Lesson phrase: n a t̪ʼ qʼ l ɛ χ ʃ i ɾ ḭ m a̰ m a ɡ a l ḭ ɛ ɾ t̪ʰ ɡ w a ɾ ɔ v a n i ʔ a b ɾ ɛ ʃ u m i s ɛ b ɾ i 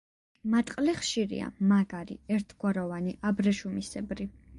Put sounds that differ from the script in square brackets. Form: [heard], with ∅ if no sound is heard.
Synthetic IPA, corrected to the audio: [m] a t̪ʼ qʼ l ɛ χ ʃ i ɾ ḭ [∅] a̰ m a ɡ a [ɾ] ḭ ɛ ɾ t̪ʰ ɡ w a ɾ ɔ v a n i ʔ a b ɾ ɛ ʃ u m i s ɛ b ɾ i